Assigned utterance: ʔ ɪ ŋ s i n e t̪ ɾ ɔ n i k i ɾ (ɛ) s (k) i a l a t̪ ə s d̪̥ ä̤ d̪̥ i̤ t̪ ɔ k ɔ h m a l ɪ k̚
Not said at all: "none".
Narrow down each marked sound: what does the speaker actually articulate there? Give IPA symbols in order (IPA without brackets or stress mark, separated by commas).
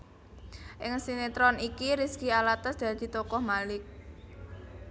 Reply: i, k